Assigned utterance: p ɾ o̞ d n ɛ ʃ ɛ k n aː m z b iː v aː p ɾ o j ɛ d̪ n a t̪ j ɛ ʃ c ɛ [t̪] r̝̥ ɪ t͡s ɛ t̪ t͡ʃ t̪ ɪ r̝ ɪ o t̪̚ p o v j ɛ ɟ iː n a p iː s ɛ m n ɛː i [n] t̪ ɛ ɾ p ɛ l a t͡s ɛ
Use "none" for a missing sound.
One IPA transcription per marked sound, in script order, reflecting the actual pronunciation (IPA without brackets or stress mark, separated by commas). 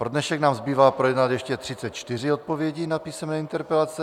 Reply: t̪, n